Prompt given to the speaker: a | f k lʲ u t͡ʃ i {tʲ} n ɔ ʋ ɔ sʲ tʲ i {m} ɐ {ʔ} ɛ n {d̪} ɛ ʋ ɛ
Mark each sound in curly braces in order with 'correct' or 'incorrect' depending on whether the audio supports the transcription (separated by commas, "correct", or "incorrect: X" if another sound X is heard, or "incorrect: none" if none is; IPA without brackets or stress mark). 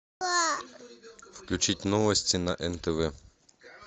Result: correct, incorrect: n, correct, incorrect: t̪